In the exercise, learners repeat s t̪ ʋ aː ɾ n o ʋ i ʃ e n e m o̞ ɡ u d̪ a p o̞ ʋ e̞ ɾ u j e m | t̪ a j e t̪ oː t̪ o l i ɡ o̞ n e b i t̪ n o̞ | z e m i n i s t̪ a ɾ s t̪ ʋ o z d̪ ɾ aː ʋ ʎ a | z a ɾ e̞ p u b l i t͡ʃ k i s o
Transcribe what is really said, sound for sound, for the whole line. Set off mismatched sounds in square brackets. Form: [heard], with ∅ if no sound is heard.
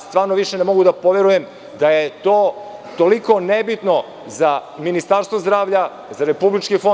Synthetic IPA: s t̪ ʋ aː ɾ n o ʋ i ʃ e n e m o̞ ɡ u d̪ a p o̞ ʋ e̞ ɾ u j e m | [d̪] a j e t̪ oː t̪ o l i [k] o̞ n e b i t̪ n o̞ | z [a] m i n i s t̪ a ɾ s t̪ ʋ o z d̪ ɾ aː ʋ ʎ a | z a ɾ e̞ p u b l i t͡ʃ k i [f] o